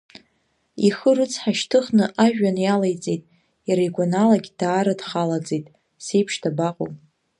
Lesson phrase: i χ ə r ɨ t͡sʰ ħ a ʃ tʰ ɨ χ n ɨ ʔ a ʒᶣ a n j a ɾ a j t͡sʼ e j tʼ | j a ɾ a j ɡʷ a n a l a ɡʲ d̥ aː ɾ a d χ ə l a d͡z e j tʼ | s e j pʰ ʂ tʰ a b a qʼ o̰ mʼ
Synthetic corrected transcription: i χ ə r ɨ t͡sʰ ħ a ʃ tʰ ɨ χ n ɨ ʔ a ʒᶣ a n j a l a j t͡sʼ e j tʼ | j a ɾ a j ɡʷ a n a l a ɡʲ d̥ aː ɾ a d χ a l a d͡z e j tʼ | s e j pʰ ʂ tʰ a b a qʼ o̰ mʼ